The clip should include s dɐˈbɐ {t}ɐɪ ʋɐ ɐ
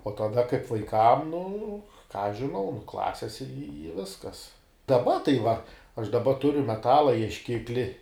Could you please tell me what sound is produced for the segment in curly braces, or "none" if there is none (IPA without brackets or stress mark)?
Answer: t